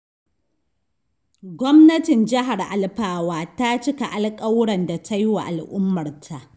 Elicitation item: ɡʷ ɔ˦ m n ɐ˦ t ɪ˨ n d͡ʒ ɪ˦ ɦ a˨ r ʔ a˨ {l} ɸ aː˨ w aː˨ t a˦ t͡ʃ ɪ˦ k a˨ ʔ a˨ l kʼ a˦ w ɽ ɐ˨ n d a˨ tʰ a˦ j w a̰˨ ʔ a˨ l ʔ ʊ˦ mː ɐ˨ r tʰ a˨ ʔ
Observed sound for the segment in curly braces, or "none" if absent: l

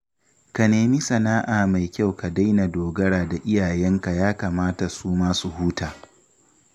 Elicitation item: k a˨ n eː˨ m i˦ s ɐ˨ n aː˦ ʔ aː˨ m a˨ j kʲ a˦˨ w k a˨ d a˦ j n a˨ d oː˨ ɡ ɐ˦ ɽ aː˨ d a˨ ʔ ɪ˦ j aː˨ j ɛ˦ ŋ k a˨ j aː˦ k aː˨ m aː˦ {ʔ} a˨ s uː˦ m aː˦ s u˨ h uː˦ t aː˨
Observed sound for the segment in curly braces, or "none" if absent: t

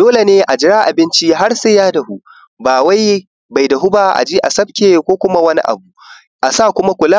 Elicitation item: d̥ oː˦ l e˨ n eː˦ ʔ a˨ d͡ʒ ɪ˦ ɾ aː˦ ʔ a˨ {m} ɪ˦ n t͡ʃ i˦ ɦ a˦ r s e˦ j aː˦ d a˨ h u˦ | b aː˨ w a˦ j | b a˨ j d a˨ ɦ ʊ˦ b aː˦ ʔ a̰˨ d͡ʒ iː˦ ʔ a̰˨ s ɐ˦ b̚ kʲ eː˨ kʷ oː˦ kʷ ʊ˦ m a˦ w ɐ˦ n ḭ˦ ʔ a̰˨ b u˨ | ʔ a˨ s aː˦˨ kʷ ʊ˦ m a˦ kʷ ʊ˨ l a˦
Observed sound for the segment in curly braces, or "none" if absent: b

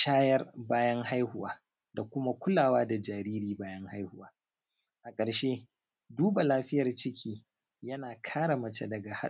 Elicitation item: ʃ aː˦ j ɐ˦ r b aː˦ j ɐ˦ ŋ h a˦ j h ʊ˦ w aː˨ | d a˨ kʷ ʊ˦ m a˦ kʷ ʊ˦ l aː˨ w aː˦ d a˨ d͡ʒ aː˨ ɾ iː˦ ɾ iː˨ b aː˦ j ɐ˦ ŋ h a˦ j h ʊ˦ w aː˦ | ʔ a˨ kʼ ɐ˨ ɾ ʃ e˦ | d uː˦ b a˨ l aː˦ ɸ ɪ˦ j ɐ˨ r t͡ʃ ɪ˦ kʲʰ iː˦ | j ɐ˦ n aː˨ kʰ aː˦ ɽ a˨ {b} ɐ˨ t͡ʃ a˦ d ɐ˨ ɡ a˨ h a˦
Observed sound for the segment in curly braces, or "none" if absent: m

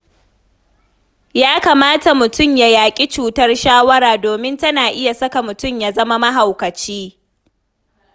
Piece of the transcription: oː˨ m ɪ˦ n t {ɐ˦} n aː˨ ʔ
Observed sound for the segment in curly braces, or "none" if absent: ɐ˦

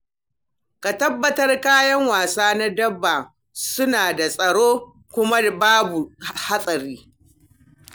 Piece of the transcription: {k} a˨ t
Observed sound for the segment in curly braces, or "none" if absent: k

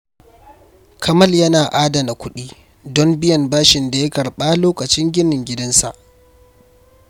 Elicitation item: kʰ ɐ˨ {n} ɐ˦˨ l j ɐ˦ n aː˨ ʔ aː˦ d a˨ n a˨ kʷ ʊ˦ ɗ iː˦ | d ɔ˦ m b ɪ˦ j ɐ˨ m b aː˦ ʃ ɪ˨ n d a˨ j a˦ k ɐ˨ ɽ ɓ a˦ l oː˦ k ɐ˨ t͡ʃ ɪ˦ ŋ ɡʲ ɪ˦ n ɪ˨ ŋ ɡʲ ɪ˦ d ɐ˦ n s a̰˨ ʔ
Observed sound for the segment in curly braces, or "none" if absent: m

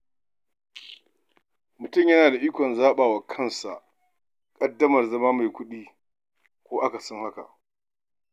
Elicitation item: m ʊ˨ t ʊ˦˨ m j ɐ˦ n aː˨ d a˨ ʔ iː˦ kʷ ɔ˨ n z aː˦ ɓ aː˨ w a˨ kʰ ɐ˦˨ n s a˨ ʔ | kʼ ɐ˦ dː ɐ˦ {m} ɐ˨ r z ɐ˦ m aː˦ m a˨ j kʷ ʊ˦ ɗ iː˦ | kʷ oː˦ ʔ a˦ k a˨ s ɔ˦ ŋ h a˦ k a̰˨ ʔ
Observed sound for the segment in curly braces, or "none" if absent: m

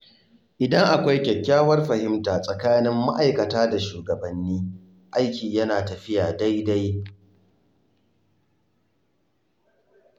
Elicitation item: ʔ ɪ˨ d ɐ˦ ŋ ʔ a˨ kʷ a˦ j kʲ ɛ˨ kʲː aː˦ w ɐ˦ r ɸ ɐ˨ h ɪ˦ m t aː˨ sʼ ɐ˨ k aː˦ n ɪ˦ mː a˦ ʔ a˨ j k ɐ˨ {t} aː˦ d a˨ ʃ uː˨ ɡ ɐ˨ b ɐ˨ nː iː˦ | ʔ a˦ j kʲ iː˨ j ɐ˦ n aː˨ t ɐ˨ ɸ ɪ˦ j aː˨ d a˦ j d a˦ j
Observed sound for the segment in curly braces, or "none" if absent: t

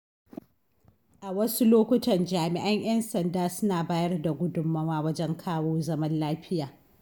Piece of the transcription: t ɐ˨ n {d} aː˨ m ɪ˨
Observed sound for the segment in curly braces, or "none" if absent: d͡ʒ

